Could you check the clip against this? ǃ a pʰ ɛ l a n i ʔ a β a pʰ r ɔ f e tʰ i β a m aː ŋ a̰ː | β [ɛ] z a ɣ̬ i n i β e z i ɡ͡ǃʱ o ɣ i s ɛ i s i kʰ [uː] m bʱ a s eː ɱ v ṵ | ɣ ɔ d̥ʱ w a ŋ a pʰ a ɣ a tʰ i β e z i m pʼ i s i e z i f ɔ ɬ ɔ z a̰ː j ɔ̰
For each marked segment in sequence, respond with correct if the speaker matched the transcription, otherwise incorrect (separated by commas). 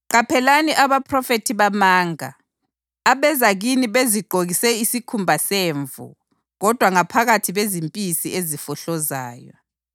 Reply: correct, incorrect